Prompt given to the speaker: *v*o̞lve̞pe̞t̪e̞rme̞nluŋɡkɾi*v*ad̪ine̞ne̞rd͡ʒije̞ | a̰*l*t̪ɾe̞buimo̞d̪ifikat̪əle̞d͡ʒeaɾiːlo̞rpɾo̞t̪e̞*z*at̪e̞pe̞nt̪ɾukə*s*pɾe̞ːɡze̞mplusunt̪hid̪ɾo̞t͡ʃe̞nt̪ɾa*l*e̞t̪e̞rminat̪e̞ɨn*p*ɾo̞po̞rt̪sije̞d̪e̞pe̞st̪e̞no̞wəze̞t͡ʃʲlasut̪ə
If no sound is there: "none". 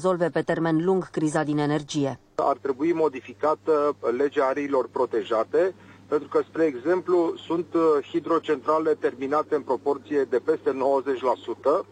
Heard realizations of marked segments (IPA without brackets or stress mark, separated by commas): z, z, r, ʒ, s, l, p